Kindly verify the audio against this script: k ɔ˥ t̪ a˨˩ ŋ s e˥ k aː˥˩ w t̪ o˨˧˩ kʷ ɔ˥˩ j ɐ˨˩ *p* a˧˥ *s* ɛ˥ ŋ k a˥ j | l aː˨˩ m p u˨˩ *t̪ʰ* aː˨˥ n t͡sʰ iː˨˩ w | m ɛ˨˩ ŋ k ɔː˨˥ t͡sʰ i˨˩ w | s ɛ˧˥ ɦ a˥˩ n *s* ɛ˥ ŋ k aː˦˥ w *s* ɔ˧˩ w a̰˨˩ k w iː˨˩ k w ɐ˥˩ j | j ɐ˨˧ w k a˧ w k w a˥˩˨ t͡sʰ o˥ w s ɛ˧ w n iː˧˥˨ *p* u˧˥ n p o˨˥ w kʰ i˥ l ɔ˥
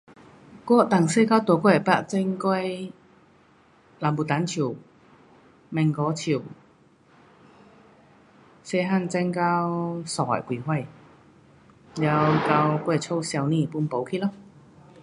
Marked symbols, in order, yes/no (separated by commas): yes, no, no, no, yes, yes